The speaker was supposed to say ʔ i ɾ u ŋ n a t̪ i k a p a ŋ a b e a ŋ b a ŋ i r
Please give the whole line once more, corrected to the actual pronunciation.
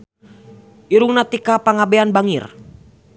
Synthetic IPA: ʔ i ɾ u ŋ n a t̪ i k a p a ŋ a b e a n b a ŋ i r

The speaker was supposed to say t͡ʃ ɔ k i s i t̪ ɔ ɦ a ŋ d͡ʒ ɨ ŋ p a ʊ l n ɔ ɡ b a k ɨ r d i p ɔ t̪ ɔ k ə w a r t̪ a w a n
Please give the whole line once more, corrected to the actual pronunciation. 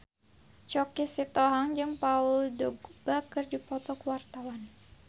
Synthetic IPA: t͡ʃ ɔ k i s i t̪ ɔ ɦ a ŋ d͡ʒ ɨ ŋ p a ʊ l d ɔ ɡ b a k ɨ r d i p ɔ t̪ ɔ k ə w a r t̪ a w a n

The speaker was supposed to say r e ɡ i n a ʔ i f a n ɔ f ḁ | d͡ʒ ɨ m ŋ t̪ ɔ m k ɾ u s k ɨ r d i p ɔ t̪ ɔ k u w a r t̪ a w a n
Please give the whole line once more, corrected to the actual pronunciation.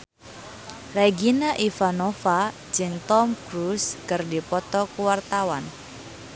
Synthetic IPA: r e ɡ i n a ʔ i f a n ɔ f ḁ | d͡ʒ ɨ ŋ t̪ ɔ m k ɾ u s k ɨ r d i p ɔ t̪ ɔ k u w a r t̪ a w a n

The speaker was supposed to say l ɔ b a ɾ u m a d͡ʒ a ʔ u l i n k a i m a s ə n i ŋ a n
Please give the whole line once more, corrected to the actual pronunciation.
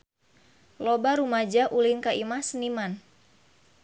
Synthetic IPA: l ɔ b a ɾ u m a d͡ʒ a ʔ u l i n k a i m a s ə n i m a n

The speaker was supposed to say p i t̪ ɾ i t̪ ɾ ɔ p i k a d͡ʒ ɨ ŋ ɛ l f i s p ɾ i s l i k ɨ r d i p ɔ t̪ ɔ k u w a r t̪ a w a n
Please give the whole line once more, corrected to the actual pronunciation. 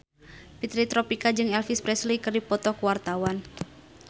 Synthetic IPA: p i t̪ ɾ i t̪ ɾ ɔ p i k a d͡ʒ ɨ ŋ ɛ l f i s p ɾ ɛ s l i k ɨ r d i p ɔ t̪ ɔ k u w a r t̪ a w a n

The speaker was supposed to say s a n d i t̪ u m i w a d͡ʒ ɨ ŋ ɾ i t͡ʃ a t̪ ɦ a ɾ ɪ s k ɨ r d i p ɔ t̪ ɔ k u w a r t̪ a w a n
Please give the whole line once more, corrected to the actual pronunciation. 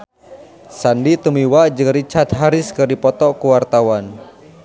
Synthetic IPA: s a n d i t̪ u m i w a d͡ʒ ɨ ŋ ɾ i t͡ʃ a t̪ ɦ a ɾ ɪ s k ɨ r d i p ɔ t̪ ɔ k u w a r t̪ a w a n

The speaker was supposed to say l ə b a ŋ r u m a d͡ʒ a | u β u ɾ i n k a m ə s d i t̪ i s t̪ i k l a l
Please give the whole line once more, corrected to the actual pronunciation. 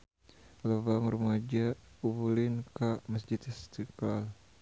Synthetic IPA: l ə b a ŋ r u m a d͡ʒ a | u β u l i n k a m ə s d͡ʒ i t̪ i s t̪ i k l a l

